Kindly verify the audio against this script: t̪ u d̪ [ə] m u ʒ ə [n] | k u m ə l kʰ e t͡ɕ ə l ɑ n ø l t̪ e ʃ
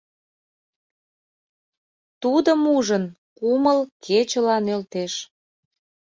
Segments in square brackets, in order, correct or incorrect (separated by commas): correct, correct